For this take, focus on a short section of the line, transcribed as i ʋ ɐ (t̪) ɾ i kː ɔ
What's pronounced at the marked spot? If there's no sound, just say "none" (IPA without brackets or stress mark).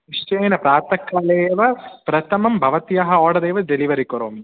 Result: none